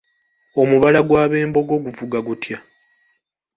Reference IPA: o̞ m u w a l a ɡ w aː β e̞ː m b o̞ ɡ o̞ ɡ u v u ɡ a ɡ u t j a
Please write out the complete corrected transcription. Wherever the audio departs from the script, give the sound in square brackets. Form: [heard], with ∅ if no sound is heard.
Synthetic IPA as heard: o̞ m u [β] a l a ɡ w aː β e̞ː m b o̞ ɡ o̞ ɡ u v u ɡ a ɡ u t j a